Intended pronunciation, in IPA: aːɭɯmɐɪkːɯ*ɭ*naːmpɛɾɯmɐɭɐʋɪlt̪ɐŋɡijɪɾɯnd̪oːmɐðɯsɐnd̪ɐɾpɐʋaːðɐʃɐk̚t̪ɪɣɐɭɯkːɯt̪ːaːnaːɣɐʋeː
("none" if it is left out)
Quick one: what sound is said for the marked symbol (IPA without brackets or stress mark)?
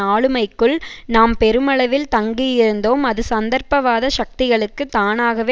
ɭ